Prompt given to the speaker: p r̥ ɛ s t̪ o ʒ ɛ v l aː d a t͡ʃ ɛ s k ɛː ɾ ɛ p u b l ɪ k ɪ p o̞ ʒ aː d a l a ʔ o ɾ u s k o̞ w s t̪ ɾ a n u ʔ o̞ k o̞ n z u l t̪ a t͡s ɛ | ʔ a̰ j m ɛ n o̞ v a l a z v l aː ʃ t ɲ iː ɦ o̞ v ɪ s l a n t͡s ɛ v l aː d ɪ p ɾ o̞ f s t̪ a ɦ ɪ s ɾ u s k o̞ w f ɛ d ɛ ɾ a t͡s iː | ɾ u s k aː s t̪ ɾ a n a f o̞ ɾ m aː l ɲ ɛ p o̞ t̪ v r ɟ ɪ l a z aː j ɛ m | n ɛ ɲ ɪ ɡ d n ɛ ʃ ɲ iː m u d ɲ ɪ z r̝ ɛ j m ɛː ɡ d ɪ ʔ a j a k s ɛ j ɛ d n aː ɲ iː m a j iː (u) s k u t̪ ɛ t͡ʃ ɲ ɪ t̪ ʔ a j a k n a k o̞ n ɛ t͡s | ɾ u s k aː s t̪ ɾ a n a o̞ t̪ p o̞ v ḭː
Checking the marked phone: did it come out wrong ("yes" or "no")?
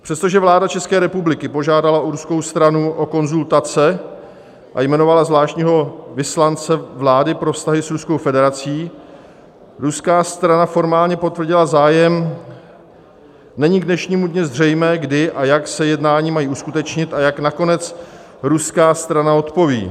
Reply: no